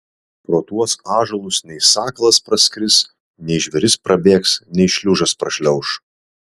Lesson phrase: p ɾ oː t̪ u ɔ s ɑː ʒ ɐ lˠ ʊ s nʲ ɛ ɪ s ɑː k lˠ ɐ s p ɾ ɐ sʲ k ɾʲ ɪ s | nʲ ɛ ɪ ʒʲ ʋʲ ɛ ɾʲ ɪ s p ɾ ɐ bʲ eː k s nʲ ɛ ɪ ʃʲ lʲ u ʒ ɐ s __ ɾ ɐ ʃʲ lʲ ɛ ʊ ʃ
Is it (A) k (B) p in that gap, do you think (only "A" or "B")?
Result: B